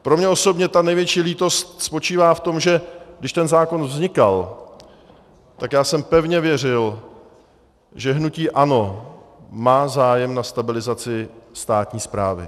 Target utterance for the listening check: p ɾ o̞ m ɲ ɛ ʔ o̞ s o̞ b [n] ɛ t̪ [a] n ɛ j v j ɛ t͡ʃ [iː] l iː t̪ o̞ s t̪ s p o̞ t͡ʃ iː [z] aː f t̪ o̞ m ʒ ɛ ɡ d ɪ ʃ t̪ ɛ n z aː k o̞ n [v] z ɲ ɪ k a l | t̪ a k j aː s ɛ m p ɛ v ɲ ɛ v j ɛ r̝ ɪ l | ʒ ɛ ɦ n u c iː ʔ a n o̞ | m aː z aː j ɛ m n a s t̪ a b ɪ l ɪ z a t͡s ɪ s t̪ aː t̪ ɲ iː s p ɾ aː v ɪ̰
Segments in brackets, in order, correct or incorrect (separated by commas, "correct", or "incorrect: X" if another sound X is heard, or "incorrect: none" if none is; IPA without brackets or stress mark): incorrect: ɲ, correct, correct, incorrect: v, correct